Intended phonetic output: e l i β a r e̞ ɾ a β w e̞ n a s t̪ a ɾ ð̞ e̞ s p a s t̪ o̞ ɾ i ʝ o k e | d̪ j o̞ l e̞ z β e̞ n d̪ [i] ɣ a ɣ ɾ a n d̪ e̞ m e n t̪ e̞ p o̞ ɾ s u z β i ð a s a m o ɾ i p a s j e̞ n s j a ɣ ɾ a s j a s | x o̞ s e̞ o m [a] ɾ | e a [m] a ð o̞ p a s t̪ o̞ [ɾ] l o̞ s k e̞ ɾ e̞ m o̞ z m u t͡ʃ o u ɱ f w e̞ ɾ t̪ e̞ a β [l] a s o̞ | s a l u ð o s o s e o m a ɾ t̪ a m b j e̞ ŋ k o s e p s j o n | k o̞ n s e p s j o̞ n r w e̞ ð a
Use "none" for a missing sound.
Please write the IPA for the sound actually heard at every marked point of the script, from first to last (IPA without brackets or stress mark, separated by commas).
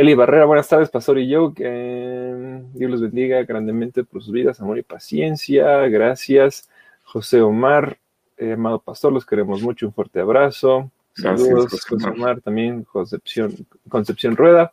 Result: i, a, m, ɾ, ɾ